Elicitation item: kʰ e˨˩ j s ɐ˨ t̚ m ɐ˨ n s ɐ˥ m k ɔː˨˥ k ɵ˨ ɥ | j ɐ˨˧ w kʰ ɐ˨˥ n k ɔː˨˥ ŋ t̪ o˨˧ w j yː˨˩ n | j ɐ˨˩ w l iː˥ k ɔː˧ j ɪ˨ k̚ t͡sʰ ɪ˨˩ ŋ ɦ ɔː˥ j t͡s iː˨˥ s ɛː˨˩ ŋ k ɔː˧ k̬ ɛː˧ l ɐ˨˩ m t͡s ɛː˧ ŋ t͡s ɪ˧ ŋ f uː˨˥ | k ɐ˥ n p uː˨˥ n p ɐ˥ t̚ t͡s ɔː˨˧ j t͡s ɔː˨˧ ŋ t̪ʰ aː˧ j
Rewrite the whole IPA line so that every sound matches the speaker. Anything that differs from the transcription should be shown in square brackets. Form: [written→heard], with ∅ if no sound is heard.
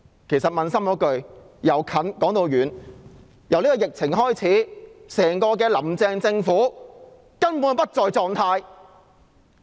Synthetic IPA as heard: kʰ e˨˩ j s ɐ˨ t̚ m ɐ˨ n s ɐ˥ m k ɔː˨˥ k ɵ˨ ɥ | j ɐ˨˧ w kʰ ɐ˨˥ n k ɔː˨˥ ŋ t̪ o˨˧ w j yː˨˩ n | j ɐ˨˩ w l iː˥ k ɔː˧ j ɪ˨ k̚ t͡sʰ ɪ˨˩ ŋ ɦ ɔː˥ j [t͡s→t͡sʰ] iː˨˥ s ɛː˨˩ ŋ k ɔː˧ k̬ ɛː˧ l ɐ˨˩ m t͡s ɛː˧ ŋ t͡s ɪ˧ ŋ f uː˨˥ | k ɐ˥ n p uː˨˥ n p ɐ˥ t̚ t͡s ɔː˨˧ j t͡s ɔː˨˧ ŋ t̪ʰ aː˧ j